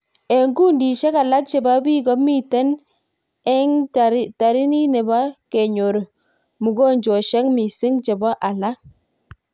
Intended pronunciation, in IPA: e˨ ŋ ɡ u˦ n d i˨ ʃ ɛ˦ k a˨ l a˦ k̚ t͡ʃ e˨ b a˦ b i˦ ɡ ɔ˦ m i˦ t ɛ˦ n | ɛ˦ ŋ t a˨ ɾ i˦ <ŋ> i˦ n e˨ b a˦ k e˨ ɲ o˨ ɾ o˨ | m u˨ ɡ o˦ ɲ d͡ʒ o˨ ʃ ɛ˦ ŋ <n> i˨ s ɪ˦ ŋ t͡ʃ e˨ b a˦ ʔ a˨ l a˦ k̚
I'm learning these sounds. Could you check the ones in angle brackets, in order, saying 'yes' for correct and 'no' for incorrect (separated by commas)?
no, no